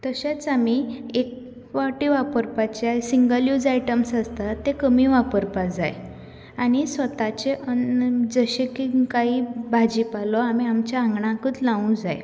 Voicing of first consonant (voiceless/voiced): voiceless